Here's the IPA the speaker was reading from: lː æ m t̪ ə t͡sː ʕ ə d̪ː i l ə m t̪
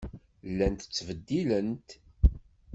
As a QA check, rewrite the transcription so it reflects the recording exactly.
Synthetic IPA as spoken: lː æ n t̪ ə t͡sː v ə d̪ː i l ə n t̪